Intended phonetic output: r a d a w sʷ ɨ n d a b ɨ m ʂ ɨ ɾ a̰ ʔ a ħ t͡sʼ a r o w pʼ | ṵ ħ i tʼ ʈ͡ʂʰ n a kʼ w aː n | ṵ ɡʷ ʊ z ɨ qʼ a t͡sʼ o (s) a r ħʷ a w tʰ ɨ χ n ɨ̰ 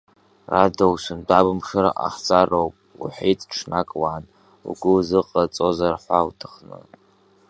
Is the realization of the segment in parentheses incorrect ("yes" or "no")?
yes